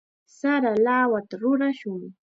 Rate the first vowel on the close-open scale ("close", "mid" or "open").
open